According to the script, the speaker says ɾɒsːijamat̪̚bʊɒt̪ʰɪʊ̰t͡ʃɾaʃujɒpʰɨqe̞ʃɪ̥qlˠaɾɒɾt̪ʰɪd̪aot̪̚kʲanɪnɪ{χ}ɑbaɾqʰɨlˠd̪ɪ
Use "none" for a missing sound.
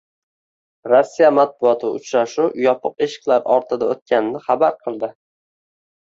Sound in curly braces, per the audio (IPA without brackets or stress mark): χ